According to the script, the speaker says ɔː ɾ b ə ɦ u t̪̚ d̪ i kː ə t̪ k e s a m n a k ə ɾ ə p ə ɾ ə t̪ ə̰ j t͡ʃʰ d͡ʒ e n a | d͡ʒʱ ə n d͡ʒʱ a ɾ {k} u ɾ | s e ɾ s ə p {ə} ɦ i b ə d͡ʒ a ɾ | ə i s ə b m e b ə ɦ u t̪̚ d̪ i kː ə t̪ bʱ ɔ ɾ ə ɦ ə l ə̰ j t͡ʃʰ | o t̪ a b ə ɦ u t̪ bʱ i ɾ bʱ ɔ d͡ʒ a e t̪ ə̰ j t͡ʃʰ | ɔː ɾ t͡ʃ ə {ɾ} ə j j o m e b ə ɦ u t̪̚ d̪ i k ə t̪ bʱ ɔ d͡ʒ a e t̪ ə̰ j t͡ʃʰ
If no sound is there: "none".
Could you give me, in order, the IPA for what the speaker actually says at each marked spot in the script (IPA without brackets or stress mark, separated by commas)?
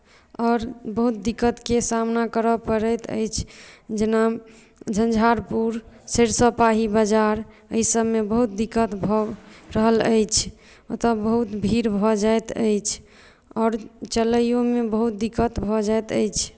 p, a, l